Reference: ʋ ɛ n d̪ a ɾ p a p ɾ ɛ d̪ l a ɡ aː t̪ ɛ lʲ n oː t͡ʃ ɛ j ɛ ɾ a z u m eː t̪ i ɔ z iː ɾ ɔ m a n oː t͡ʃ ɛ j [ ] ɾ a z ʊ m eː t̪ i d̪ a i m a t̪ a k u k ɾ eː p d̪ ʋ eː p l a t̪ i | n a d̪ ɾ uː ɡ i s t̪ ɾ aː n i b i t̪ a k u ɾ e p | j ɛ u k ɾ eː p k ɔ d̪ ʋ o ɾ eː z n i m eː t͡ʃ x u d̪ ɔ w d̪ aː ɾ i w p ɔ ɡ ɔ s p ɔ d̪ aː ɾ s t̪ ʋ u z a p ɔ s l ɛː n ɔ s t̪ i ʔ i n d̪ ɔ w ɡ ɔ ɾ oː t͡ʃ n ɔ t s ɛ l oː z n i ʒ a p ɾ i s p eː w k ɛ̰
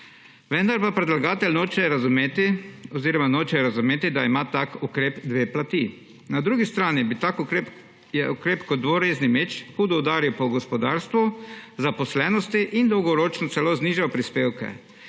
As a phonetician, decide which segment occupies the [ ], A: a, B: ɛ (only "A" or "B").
B